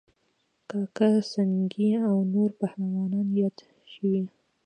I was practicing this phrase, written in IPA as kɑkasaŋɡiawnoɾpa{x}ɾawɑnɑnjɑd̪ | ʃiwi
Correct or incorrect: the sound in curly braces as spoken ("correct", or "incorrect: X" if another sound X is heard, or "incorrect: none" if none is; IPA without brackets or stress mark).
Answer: incorrect: h